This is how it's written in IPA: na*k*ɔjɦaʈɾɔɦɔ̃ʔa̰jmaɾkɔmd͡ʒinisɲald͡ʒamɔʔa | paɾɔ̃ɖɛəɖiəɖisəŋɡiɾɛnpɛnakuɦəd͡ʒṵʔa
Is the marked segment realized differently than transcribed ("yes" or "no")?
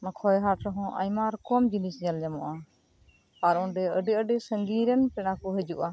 yes